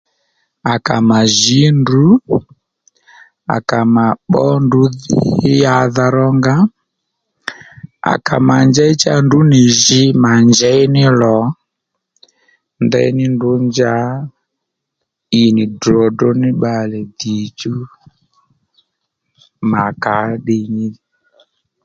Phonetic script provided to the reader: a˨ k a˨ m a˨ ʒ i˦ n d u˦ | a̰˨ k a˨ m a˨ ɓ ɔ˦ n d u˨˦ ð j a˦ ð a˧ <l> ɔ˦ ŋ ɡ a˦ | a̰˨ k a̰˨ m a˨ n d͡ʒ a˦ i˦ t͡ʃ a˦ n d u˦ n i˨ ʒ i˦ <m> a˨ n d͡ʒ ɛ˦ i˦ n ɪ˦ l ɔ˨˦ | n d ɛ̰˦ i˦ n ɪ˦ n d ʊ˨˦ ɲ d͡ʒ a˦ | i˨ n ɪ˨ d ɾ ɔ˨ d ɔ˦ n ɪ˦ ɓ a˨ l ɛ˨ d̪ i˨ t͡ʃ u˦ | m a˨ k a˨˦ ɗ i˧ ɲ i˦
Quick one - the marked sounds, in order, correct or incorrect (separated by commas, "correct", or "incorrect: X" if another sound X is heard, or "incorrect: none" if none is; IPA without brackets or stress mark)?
incorrect: ɾ, correct